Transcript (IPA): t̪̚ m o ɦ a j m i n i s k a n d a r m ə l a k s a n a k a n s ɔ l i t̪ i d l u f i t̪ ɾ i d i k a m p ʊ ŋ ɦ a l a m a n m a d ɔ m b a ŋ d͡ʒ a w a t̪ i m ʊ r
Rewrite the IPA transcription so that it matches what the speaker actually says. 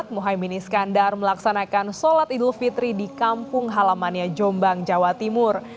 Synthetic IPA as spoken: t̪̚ m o ɦ a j m i n i s k a n d a r m ə l a k s a n a k a n s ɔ l a t̪ i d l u f i t̪ ɾ i d i k a m p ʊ ŋ ɦ a l a m a n ɲ a d͡ʒ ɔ m b a ŋ d͡ʒ a w a t̪ i m ʊ r